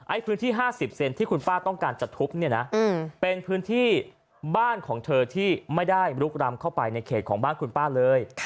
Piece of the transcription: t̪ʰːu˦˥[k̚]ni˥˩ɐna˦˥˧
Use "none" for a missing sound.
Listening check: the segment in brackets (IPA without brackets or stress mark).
p̚